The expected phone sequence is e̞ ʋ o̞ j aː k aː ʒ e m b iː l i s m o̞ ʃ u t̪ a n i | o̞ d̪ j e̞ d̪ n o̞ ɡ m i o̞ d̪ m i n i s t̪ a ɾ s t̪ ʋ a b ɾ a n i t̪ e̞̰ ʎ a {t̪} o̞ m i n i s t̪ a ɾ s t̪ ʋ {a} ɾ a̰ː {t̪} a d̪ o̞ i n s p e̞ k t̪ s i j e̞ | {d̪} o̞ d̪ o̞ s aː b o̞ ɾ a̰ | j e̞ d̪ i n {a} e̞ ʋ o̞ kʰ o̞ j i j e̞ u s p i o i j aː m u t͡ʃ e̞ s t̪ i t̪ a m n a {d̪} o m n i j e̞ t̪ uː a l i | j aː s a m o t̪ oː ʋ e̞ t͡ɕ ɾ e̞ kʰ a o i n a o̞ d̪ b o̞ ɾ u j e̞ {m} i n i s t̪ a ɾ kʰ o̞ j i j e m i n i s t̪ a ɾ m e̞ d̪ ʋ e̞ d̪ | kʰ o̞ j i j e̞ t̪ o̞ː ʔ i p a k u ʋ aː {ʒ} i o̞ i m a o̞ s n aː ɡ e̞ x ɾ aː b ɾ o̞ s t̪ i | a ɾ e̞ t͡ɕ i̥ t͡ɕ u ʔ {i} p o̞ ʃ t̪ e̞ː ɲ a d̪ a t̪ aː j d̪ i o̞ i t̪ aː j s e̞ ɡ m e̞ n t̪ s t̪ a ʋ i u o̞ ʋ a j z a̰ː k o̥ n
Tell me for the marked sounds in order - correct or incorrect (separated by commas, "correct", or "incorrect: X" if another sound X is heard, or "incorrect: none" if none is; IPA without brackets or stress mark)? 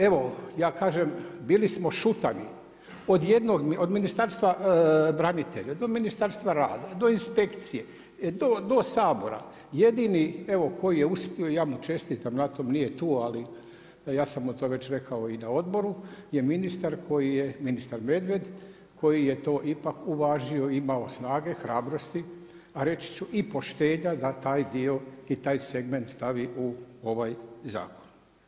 incorrect: d̪, correct, incorrect: d̪, correct, incorrect: i, incorrect: t̪, correct, correct, correct